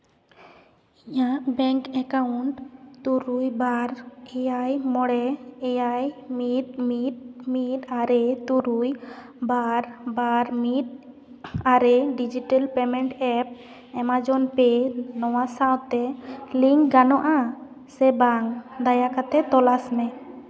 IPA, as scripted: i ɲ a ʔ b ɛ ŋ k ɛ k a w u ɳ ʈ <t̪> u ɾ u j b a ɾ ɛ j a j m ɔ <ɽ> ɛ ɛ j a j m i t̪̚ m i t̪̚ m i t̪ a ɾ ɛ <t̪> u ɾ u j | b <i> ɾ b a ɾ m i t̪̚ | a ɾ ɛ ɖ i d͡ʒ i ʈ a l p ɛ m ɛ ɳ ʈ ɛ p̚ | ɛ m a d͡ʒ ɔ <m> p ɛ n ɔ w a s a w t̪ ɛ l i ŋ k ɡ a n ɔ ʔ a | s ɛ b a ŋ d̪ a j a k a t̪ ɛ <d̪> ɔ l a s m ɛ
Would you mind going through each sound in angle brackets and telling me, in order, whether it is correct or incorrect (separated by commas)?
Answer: correct, correct, correct, incorrect, incorrect, incorrect